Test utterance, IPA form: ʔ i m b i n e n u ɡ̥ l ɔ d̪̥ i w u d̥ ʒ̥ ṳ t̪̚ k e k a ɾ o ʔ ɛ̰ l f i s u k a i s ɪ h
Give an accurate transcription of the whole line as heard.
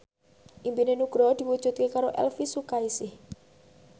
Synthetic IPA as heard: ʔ i m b i n e n u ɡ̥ ɾ ɔ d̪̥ i w u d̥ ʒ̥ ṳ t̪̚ k e k a ɾ o ʔ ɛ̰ l f i s u k a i s ɪ h